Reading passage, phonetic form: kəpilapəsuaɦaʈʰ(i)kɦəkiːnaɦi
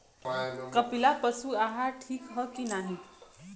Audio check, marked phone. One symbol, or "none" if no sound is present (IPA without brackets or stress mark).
iː